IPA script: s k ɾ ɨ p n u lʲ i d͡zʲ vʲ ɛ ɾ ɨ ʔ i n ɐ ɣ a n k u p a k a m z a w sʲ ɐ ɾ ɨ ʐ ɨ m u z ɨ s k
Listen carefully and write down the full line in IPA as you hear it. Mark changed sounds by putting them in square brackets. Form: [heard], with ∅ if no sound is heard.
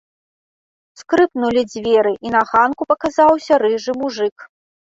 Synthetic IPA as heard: s k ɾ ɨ p n u lʲ i d͡zʲ vʲ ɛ ɾ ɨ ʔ i n ɐ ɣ a n k u p [ɐ] k a [∅] z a w sʲ ɐ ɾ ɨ ʐ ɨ m u [ʐ] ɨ [∅] k